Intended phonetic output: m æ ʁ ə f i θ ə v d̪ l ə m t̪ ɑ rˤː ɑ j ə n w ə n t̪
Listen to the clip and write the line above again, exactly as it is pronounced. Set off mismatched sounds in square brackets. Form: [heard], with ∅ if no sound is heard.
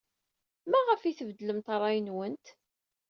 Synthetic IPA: m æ ʁ ə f i θ ə v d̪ l ə m t̪ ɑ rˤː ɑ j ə n w ə n t̪